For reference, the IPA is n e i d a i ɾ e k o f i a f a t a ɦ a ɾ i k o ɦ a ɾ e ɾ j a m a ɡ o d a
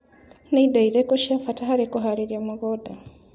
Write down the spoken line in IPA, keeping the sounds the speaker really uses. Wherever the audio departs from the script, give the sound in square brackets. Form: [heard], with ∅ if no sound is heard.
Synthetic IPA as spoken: n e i d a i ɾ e k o [ʃ] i a f a t a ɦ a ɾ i k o ɦ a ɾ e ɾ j a m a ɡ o d a